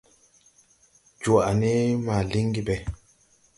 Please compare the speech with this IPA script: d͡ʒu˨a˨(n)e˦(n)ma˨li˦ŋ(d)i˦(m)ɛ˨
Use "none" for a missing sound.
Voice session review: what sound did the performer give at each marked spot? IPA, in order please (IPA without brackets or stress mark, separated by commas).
n, none, ɡ, b